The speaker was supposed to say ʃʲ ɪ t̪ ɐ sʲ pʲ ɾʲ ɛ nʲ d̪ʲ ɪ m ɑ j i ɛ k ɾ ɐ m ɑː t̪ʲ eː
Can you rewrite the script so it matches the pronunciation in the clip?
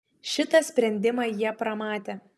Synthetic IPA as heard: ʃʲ ɪ t̪ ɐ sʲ pʲ ɾʲ ɛ nʲ d̪ʲ ɪ m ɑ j i ɛ p ɾ ɐ m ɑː t̪ʲ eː